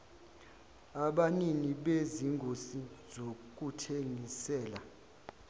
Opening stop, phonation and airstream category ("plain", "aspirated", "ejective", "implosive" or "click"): implosive